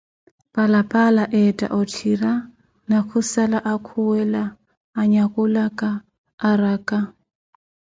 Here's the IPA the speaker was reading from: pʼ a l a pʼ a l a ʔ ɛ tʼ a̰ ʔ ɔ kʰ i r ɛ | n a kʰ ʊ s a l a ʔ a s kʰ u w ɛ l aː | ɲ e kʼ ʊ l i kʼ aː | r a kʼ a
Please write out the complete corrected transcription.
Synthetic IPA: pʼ a l a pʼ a l a ʔ ɛ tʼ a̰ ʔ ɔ tʰ i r a | n a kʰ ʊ s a l a ʔ a kʰ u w ɛ l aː | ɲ a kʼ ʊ l a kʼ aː | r a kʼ a